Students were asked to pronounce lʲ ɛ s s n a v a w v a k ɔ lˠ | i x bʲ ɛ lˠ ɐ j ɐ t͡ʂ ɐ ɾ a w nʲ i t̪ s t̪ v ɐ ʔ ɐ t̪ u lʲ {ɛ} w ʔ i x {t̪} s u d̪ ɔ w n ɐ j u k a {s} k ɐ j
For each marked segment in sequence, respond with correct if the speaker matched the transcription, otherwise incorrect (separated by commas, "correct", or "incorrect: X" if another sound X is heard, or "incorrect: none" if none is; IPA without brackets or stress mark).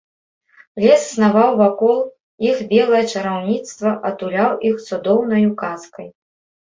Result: incorrect: a, correct, correct